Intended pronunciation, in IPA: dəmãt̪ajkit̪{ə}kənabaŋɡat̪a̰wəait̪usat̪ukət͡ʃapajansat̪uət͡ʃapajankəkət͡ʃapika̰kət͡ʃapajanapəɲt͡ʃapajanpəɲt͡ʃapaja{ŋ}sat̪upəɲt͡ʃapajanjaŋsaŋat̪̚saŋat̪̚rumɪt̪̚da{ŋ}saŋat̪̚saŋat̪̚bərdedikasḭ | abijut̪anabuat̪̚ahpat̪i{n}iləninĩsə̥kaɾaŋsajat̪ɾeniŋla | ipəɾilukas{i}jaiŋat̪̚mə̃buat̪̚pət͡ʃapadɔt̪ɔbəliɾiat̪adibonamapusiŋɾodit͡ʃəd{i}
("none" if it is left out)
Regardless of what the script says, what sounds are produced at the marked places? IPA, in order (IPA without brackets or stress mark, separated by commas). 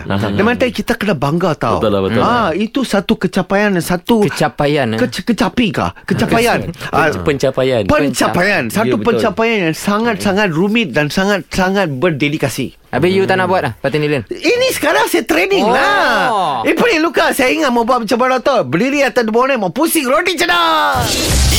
a, n, n, n, a, a